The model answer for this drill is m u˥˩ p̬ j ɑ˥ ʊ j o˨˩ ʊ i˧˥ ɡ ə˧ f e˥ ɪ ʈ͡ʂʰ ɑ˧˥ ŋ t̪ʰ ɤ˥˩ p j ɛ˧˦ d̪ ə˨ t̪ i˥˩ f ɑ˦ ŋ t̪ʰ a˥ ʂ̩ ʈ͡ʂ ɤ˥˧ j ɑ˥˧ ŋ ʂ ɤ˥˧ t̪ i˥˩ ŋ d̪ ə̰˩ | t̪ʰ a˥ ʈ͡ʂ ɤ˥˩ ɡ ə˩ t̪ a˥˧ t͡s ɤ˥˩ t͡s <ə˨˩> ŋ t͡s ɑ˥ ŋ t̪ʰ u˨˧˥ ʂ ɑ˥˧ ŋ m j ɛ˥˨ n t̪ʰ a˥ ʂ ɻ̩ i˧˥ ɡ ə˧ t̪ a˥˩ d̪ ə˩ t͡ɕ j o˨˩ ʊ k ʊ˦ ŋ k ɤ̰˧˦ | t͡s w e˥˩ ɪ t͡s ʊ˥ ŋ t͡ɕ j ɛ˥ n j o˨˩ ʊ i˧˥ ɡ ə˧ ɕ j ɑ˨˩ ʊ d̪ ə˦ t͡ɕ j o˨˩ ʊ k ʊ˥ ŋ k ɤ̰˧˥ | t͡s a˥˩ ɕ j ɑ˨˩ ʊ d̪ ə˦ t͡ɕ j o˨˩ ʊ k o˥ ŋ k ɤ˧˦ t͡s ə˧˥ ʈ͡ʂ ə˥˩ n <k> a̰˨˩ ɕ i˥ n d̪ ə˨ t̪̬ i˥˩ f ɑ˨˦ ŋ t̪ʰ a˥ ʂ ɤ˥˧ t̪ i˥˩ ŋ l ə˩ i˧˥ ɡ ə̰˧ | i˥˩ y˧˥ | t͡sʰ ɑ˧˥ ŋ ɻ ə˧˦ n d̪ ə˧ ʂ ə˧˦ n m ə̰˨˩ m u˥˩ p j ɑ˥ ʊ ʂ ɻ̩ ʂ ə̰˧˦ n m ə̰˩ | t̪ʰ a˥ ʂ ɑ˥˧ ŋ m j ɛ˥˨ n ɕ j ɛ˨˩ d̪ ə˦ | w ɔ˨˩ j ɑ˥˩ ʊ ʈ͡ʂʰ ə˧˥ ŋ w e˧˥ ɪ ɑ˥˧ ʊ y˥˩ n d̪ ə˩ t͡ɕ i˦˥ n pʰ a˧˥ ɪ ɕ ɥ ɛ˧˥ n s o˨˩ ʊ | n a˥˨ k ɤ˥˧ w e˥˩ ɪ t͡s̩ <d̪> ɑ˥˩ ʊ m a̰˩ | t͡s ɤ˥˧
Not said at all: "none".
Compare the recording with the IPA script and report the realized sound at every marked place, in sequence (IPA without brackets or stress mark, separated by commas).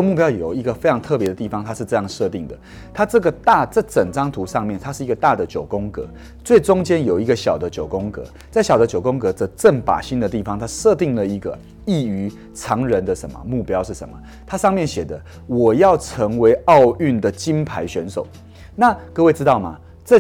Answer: ə˨˩, p, t̪